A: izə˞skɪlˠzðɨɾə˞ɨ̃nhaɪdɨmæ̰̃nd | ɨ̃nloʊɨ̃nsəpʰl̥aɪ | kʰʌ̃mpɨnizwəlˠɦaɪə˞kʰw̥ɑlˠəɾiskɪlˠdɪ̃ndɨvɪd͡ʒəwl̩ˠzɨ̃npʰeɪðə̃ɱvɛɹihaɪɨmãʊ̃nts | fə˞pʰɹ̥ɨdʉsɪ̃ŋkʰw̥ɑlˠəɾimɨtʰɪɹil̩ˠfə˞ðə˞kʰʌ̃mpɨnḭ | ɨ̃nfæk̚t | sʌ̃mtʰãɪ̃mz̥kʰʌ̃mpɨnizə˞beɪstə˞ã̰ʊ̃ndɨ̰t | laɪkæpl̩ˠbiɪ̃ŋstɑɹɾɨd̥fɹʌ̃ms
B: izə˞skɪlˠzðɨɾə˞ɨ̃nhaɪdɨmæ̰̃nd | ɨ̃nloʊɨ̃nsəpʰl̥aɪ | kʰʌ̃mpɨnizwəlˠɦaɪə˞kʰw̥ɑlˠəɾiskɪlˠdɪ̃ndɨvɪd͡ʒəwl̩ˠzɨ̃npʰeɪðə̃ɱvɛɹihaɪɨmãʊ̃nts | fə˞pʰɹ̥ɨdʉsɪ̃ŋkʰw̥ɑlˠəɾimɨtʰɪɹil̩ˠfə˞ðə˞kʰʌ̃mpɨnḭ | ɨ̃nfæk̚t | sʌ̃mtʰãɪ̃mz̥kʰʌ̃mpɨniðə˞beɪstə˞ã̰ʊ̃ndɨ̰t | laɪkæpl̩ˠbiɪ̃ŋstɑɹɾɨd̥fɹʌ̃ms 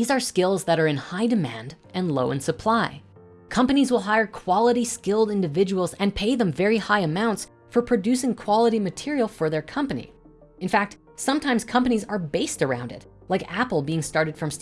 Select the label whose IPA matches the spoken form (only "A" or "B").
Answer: A